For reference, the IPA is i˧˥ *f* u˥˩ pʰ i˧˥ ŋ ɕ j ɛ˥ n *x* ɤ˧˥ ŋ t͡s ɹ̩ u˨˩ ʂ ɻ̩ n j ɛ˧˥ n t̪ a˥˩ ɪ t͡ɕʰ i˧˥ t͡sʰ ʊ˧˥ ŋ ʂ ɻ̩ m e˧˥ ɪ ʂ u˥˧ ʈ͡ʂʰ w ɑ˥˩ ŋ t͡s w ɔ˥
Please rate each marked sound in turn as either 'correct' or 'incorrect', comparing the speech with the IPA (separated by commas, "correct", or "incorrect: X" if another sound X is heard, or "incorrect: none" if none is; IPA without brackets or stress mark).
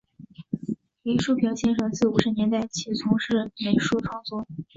incorrect: ʂ, incorrect: ʂ